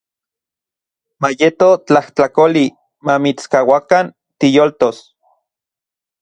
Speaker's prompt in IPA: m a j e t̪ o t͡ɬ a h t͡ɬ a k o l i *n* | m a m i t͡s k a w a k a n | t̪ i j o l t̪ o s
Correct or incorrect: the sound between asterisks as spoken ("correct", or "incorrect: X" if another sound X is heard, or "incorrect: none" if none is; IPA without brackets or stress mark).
incorrect: none